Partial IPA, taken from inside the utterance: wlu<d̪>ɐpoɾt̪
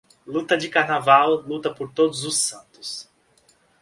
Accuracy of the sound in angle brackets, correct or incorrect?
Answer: incorrect